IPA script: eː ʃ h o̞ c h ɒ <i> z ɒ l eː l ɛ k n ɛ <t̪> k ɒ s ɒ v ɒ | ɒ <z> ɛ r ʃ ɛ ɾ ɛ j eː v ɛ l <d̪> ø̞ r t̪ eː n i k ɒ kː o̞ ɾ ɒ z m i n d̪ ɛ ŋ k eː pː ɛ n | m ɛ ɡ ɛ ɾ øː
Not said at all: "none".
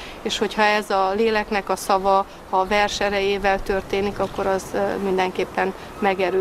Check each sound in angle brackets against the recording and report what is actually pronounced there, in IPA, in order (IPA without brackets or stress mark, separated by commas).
ɛ, none, v, t̪